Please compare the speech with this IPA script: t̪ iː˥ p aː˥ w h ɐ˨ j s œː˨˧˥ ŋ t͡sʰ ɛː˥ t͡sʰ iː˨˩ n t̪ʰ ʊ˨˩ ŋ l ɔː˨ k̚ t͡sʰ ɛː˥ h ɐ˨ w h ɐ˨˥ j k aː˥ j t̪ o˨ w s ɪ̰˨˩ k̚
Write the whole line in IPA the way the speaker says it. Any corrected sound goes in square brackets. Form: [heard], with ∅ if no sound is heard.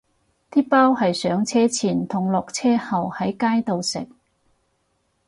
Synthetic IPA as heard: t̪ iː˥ p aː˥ w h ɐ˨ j s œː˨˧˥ ŋ t͡sʰ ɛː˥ t͡sʰ iː˨˩ n t̪ʰ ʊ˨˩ ŋ l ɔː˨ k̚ t͡sʰ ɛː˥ h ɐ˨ w h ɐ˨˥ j k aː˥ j t̪ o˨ w s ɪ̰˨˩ k̚